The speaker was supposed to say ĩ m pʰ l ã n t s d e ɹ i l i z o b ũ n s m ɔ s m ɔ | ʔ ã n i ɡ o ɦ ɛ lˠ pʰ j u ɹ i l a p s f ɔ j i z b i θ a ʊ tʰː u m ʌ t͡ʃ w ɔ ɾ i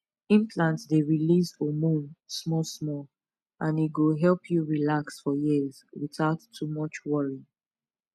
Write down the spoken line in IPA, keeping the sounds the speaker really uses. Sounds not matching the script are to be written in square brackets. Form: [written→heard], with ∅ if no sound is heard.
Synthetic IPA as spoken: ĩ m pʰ l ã n t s d e ɹ i l i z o [b→m] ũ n s m ɔ s m ɔ | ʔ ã n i ɡ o ɦ ɛ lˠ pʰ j u ɹ i l a [p→k] s f ɔ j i z [b→w] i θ a ʊ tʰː u m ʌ t͡ʃ w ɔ [ɾ→ɹ] i